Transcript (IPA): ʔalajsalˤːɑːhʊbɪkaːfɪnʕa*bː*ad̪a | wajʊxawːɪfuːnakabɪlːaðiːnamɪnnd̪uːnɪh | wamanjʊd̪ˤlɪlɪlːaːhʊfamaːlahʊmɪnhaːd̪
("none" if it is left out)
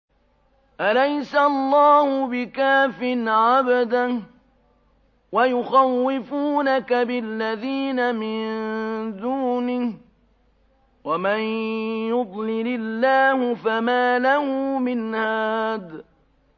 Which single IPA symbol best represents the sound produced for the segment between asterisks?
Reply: b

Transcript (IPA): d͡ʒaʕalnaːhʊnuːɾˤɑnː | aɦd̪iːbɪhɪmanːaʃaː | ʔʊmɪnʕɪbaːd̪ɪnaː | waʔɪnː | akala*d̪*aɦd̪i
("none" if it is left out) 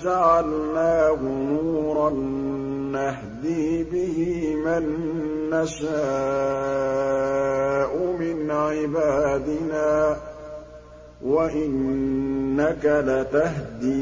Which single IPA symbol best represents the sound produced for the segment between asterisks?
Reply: t̪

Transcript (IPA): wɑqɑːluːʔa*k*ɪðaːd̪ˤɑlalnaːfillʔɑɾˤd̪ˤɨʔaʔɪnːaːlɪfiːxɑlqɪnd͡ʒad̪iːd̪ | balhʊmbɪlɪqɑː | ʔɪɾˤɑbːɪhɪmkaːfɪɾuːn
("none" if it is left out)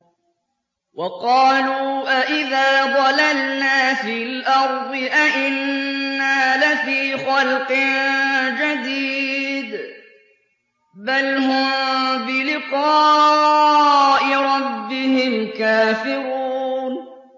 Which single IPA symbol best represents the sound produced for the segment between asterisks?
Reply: ʔ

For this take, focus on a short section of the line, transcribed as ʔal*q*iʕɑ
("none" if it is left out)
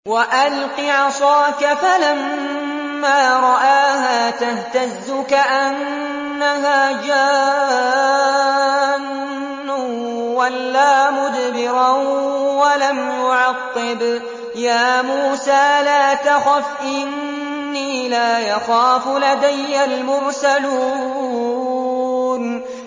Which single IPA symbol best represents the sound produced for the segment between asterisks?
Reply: q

